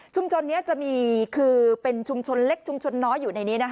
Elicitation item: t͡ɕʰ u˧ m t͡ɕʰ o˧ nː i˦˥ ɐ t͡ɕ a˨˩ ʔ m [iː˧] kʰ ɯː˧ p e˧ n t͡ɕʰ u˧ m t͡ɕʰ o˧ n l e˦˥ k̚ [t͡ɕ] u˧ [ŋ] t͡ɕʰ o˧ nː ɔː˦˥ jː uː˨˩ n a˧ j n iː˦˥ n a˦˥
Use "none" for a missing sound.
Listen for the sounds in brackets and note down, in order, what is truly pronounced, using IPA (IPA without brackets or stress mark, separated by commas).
iː˧, t͡ɕʰ, m